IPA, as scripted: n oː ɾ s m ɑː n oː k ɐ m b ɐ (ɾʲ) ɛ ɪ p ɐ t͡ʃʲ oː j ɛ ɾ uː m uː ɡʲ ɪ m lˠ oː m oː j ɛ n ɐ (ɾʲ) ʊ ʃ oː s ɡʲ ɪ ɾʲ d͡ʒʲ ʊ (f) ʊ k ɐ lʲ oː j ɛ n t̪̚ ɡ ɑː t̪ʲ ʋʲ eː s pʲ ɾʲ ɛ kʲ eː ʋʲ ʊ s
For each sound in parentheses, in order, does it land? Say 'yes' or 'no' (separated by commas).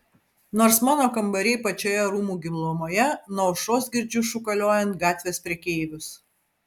yes, no, no